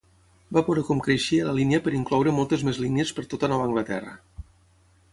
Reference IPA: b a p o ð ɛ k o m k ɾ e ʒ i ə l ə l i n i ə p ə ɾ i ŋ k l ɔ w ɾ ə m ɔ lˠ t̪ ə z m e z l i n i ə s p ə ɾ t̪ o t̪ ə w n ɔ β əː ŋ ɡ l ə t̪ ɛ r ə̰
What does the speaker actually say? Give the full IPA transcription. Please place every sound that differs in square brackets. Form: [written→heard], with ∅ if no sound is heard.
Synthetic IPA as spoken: b a p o ð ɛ k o m k ɾ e [ʒ→ʃ] i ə l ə l i n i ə p ə ɾ i ŋ k l ɔ w ɾ ə m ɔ lˠ t̪ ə z m e z l i n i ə s p ə ɾ t̪ o t̪ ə [w→∅] n ɔ β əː ŋ ɡ l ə t̪ ɛ r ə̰

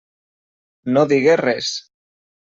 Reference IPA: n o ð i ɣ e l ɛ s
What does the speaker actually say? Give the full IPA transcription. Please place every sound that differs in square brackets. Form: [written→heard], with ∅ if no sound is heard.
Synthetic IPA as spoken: n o ð i ɣ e [l→r] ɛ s

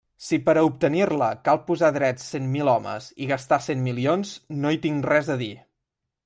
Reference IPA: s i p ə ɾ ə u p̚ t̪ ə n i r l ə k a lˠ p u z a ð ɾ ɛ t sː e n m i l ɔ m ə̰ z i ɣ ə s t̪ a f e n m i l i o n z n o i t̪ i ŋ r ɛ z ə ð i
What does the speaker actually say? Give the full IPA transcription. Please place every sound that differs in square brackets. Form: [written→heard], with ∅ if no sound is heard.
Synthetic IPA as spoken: s i p ə ɾ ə u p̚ t̪ ə n i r l ə k a lˠ p u z a ð ɾ ɛ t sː e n m i l ɔ m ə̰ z i ɣ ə s t̪ a [f→s] e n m i l i o n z n o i t̪ i ŋ r ɛ z ə ð i

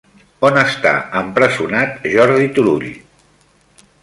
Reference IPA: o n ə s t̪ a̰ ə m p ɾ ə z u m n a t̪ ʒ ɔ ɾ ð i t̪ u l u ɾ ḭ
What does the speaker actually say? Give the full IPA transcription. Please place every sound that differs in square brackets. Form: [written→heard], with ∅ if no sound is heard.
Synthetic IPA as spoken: o n ə s t̪ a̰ ə m p ɾ ə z u [m→∅] n a t̪ ʒ ɔ ɾ ð i t̪ u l u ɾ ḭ

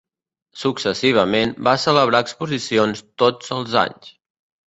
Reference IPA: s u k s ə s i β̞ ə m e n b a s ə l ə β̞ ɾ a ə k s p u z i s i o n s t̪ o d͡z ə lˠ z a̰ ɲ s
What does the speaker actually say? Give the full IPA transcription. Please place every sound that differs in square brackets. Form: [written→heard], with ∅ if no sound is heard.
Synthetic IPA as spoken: s u k s ə s i β̞ ə m e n b a s ə l ə β̞ ɾ a ə k s p u z i s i o n s t̪ o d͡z ə lˠ z a̰ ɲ s

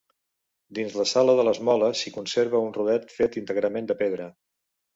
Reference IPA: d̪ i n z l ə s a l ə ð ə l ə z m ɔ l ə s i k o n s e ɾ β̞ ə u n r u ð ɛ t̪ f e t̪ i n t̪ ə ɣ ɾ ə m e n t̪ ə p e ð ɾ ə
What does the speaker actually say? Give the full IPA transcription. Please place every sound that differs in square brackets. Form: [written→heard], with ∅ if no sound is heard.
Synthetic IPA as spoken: d̪ i n z l ə s a l ə ð ə l ə z m ɔ l ə s i k [o→u] n s e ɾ β̞ ə u n r u ð ɛ t̪ f e t̪ i n t̪ ə ɣ ɾ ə m e n [t̪→d̪] ə p e ð ɾ ə

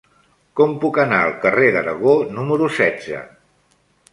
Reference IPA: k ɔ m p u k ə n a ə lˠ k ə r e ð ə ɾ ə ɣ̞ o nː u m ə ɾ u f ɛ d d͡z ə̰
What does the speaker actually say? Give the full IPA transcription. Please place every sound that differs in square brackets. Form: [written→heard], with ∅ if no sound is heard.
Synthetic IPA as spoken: k ɔ m p u k ə n a ə lˠ k ə r e ð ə ɾ ə ɣ̞ o [nː→n] u m ə ɾ u [f→s] ɛ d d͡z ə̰

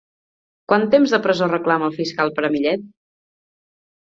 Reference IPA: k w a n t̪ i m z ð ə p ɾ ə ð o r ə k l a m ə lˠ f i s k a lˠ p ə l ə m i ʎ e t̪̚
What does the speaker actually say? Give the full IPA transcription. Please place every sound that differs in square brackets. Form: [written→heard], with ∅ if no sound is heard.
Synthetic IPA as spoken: k w a n t̪ [i→e] m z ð ə p ɾ ə [ð→z] o r ə k l a m ə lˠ f i s k a lˠ p ə [l→ɾ] ə m i ʎ [e→ɛ] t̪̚

